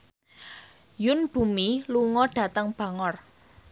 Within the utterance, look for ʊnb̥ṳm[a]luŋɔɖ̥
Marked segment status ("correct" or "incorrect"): incorrect